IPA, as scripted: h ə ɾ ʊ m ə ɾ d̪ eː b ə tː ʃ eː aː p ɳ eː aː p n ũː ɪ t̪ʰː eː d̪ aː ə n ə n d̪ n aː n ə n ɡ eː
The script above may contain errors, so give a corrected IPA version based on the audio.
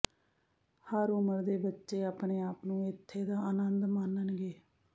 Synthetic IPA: h ə ɾ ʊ m ə ɾ d̪ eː b ə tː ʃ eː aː p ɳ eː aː p n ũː ɪ t̪ʰː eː d̪ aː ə n ə n d̪ m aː n ə n ɡ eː

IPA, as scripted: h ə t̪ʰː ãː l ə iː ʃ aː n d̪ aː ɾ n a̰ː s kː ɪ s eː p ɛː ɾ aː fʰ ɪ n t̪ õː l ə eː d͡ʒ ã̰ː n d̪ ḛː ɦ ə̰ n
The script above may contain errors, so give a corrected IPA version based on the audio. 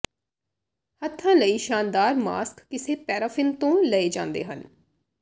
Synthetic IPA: h ə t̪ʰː ãː l ə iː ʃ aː n d̪ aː ɾ m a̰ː s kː ɪ s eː p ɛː ɾ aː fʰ ɪ n t̪ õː l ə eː d͡ʒ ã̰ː n d̪ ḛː ɦ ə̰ n

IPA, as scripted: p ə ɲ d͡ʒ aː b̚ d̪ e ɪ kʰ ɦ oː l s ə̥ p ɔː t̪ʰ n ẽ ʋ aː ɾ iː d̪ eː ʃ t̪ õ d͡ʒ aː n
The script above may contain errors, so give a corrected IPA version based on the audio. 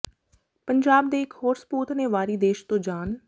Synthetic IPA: p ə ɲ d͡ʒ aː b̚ d̪ e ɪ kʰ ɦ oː ɾ s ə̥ p uː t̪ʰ n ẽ ʋ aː ɾ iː d̪ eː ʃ t̪ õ d͡ʒ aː n

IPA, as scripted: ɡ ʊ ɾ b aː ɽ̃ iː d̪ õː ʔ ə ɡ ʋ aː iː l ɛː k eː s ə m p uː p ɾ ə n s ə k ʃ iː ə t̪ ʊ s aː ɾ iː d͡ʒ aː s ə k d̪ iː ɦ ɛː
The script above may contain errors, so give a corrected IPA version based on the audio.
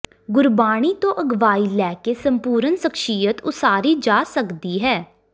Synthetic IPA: ɡ ʊ ɾ b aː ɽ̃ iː t̪ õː ʔ ə ɡ ʋ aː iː l ɛː k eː s ə m p uː ɾ ə n s ə k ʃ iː ə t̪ ʊ s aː ɾ iː d͡ʒ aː s ə k d̪ iː ɦ ɛː

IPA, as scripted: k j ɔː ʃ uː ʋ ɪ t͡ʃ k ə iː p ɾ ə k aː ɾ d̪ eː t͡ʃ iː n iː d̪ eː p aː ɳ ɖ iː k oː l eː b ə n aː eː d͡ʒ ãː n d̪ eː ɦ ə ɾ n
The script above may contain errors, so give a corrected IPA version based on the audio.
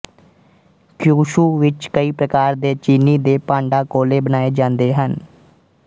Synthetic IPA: k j uː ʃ uː ʋ ɪ t͡ʃ k ə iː p ɾ ə k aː ɾ d̪ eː t͡ʃ iː n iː d̪ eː p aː ɳ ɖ aː k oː l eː b ə n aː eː d͡ʒ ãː n d̪ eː ɦ ə n

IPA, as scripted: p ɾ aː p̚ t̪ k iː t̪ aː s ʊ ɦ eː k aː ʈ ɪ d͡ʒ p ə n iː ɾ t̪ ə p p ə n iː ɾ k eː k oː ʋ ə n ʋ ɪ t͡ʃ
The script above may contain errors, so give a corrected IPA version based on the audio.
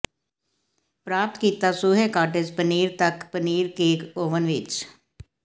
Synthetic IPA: p ɾ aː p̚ t̪ k iː t̪ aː s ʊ ɦ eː k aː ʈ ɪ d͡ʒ p ə n iː ɾ t̪ ə k p ə n iː ɾ k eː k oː ʋ ə n ʋ ɪ t͡ʃ

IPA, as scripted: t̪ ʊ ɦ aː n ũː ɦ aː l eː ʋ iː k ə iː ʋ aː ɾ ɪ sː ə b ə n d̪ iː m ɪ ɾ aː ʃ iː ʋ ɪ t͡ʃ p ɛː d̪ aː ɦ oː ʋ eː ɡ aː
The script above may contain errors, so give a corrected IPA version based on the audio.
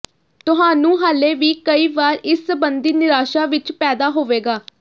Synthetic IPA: t̪ ʊ ɦ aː n ũː ɦ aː l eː ʋ iː k ə iː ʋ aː ɾ ɪ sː ə b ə n d̪ iː n ɪ ɾ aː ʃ aː ʋ ɪ t͡ʃ p ɛː d̪ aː ɦ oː ʋ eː ɡ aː

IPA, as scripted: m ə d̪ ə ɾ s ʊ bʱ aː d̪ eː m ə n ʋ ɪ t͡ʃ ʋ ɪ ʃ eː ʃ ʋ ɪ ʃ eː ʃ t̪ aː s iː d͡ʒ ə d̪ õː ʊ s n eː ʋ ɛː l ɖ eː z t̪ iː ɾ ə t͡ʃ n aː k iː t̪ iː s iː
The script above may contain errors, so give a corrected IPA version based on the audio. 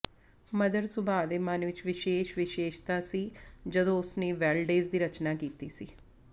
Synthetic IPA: m ə d̪ ə ɾ s ʊ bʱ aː d̪ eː m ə n ʋ ɪ t͡ʃ ʋ ɪ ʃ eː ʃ ʋ ɪ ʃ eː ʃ t̪ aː s iː d͡ʒ ə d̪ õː ʊ s n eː ʋ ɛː l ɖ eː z d̪ iː ɾ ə t͡ʃ n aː k iː t̪ iː s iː

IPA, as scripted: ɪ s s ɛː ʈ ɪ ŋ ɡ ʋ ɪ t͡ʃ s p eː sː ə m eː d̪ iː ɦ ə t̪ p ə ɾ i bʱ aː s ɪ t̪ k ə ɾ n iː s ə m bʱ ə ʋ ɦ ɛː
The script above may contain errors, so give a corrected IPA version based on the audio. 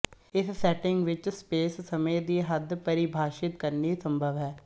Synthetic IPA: ɪ s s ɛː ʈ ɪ ŋ ɡ ʋ ɪ t͡ʃ s p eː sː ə m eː d̪ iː ɦ ə d̪ p ə ɾ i bʱ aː ʃ ɪ t̪ k ə ɾ n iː s ə m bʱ ə ʋ ɦ ɛː

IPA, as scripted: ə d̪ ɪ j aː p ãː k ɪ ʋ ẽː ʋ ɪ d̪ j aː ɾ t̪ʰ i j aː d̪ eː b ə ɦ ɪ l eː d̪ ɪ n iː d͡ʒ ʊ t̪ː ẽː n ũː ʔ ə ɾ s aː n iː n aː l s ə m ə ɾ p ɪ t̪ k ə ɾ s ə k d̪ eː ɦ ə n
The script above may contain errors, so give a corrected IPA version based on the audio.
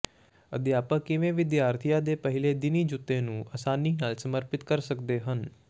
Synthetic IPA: ə d̪ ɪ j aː p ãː k ɪ ʋ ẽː ʋ ɪ d̪ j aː ɾ t̪ʰ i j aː d̪ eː p ə ɦ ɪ l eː d̪ ɪ n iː d͡ʒ ʊ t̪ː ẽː n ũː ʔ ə s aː n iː n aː l s ə m ə ɾ p ɪ t̪ k ə ɾ s ə k d̪ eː ɦ ə n

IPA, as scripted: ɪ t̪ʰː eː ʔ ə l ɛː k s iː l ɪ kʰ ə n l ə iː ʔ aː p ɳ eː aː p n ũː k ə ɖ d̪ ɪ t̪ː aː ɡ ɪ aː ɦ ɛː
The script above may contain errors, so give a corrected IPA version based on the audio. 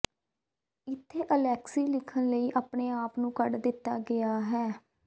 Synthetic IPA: ɪ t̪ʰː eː ʔ ə l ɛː k s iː l ɪ kʰ ə n l ə iː ʔ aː p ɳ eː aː p n ũː k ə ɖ d̪ ɪ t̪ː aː ɡ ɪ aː ɦ ɛː

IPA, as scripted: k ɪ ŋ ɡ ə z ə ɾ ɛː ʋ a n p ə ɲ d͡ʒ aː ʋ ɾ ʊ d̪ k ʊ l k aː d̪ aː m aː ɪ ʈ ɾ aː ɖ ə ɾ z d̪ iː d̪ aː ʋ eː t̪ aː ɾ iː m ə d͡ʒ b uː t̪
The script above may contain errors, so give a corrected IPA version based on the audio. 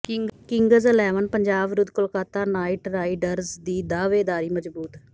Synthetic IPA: k ɪ ŋ ɡ ə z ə l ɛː ʋ ə n p ə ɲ d͡ʒ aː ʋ ɾ ʊ d̪ k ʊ l k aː t̪ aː n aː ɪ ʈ ɾ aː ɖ ə ɾ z d̪ iː d̪ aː ʋ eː d̪ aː ɾ iː m ə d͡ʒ b uː t̪

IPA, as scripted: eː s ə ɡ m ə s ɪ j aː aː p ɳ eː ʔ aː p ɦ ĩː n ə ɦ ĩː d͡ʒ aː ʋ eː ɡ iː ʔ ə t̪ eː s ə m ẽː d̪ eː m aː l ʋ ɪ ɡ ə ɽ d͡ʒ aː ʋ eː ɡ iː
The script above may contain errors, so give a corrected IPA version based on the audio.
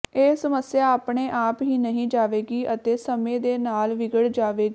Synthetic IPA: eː s ə m ə s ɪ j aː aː p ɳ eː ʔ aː p ɦ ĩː n ə ɦ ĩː d͡ʒ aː ʋ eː ɡ iː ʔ ə t̪ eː s ə m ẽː d̪ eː n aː l ʋ ɪ ɡ ə ɽ d͡ʒ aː ʋ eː ɡ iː

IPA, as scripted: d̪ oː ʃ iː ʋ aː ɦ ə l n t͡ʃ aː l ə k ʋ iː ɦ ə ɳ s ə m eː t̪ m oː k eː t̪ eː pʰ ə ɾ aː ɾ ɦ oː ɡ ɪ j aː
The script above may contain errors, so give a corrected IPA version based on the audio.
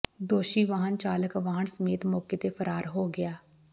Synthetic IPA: d̪ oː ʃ iː ʋ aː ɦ ə n t͡ʃ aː l ə k ʋ aː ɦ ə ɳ s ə m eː t̪ m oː k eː t̪ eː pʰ ə ɾ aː ɾ ɦ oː ɡ ɪ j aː

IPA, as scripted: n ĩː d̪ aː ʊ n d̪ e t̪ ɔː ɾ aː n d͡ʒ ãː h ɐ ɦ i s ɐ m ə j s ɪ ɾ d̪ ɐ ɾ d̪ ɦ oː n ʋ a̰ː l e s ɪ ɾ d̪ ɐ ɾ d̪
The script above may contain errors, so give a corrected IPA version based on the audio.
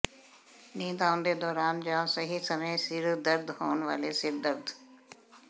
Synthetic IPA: n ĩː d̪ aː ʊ n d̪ e d̪ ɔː ɾ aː n d͡ʒ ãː s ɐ ɦ i s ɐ m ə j s ɪ ɾ d̪ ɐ ɾ d̪ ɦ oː n ʋ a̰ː l e s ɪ ɾ d̪ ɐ ɾ d̪

